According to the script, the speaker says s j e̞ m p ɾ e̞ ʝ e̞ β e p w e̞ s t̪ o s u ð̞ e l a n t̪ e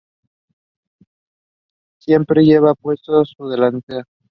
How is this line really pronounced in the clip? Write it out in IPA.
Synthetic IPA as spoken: s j e̞ m p ɾ e̞ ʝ e̞ β a p w e̞ s t̪ o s u ð̞ e l a n t̪ e